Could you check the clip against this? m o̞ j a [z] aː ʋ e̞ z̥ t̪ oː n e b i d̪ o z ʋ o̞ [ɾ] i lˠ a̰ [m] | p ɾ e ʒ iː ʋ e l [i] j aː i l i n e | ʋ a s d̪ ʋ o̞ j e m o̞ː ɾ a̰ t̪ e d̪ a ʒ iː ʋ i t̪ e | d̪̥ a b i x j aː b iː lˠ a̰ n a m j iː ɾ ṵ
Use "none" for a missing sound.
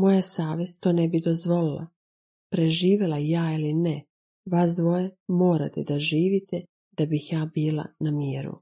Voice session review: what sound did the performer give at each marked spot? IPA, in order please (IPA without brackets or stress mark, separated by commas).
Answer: s, l, none, a